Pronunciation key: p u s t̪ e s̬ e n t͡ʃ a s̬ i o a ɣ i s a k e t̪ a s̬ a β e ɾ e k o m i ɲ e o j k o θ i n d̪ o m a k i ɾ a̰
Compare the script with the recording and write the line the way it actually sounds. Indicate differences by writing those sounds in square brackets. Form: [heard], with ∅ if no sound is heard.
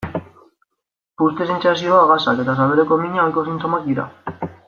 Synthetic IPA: p u s t̪ e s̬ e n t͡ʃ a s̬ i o a ɣ [a] s a k e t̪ a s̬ a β e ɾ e k o m i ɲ [a] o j k o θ i n [t̪] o m a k i ɾ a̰

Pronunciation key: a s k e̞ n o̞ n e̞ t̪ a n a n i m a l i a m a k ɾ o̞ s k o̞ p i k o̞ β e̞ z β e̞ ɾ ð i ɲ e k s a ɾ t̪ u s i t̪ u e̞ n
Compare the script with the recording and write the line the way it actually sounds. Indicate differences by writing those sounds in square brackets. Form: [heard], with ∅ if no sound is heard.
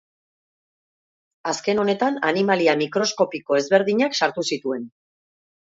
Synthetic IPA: a s k e̞ n o̞ n e̞ t̪ a n a n i m a l i a m [i] k ɾ o̞ s k o̞ p i k o̞ [∅] e̞ z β e̞ ɾ ð i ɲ [a] k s a ɾ t̪ u s i t̪ u e̞ n

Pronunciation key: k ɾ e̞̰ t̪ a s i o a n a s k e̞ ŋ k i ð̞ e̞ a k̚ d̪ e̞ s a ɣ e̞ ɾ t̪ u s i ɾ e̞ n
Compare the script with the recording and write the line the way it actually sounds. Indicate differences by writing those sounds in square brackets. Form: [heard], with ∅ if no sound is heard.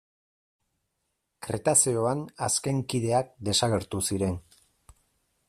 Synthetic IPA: k ɾ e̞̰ t̪ a s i o a n a s k e̞ ŋ k i ð̞ e̞ a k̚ d̪ e̞ s a ɣ e̞ ɾ t̪ u s i ɾ e̞ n

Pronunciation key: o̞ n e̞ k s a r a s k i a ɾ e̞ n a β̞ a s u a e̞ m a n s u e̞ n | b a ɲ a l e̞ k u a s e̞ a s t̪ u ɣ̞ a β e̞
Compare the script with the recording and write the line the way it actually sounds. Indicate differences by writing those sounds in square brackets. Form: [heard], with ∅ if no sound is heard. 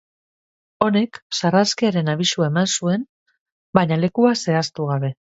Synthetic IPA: o̞ n e̞ k s a r a s k i a ɾ e̞ n a β̞ [i] s u a e̞ m a n s u e̞ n | b a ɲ a l e̞ k u a s e̞ a s t̪ u ɣ̞ a β e̞

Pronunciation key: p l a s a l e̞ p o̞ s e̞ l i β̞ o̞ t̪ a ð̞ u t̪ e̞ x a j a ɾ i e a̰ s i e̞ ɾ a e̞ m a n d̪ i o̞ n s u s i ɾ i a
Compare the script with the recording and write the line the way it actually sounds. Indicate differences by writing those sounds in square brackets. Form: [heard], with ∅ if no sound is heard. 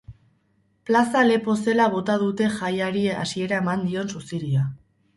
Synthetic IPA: p l a s a l e̞ p o̞ s e̞ l [a] β̞ o̞ t̪ a ð̞ u t̪ e̞ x a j a ɾ i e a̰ s i e̞ ɾ a e̞ m a n d̪ i o̞ n s u s i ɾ i a

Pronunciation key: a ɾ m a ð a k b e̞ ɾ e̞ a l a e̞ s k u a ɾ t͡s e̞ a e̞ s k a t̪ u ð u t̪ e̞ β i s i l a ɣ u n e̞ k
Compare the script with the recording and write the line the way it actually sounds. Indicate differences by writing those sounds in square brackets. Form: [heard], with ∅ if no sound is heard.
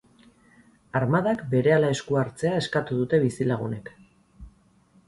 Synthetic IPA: a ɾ m a ð a k b e̞ ɾ e̞ a l a e̞ s k u a ɾ t͡s e̞ a e̞ s k a t̪ u ð u t̪ e̞ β i s i l a ɣ u n e̞ k

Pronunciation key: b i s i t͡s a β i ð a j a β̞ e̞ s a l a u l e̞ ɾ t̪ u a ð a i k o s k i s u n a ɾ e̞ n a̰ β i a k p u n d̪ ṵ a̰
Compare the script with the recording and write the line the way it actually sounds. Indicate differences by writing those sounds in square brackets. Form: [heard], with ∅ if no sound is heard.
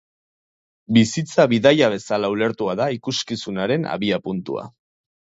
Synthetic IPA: b i s i t͡s a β i ð a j a β̞ e̞ s a l a u l e̞ ɾ t̪ u a ð a i k [u] s k i s u n a ɾ e̞ n a̰ β i a [∅] p u n [t̪] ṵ a̰

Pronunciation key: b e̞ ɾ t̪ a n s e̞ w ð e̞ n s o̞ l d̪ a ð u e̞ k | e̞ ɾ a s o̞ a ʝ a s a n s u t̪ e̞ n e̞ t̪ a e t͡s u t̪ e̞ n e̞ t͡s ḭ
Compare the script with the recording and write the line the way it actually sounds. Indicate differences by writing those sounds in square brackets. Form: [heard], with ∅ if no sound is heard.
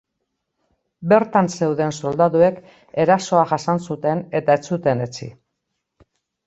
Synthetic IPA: b e̞ ɾ t̪ a n s e̞ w ð e̞ n s o̞ l d̪ a ð u e̞ k | e̞ ɾ a s o̞ a ʝ a s a n s u t̪ e̞ n e̞ t̪ a e t͡s u t̪ e̞ n e̞ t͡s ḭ

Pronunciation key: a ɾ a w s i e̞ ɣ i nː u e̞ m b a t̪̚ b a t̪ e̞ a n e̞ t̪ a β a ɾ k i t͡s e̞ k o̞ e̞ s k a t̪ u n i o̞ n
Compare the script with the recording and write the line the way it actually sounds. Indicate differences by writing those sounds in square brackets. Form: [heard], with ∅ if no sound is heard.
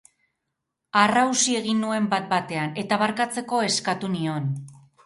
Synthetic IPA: a [r] a w s i e̞ ɣ i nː u e̞ m b a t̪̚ b a t̪ e̞ a n e̞ t̪ a β a ɾ k [a] t͡s e̞ k o̞ e̞ s k a t̪ u n i o̞ n

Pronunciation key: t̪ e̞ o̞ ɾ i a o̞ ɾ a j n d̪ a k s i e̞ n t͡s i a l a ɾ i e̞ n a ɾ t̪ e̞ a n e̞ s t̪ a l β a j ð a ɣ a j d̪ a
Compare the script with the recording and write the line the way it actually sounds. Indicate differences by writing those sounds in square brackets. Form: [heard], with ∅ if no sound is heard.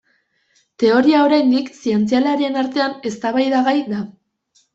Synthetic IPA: t̪ e̞ o̞ ɾ i a o̞ ɾ a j n d̪ [i] k s i e̞ n t͡s i a l a ɾ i e̞ n a ɾ t̪ e̞ a n e̞ s t̪ a [∅] β a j ð a ɣ a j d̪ a

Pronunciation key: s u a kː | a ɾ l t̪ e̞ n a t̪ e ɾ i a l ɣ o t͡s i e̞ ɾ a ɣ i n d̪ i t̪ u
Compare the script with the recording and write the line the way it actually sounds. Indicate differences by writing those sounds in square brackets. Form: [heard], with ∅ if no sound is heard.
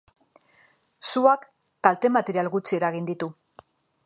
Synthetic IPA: s u a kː | a [∅] l t̪ e̞ [m] a t̪ e ɾ i a l ɣ [u] t͡s i e̞ ɾ a ɣ i n d̪ i t̪ u

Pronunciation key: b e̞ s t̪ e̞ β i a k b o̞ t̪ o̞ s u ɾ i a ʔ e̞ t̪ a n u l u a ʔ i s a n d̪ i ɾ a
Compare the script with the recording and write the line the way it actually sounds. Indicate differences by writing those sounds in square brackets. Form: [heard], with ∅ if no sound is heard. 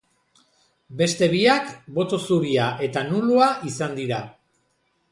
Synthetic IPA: b e̞ s t̪ e̞ β i a k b o̞ t̪ o̞ s u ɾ i a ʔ e̞ t̪ a n u l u a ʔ i s a n d̪ i ɾ a

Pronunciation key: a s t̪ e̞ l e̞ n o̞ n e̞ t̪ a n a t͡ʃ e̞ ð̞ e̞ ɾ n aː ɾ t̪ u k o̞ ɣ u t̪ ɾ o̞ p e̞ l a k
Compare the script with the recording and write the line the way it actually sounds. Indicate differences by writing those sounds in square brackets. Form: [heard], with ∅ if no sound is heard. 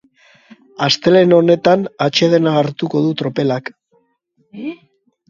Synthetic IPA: a s t̪ e̞ l e̞ n o̞ n e̞ t̪ a n a t͡ʃ e̞ ð̞ e̞ [∅] n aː ɾ t̪ u k o̞ [ð] u t̪ ɾ o̞ p e̞ l a k

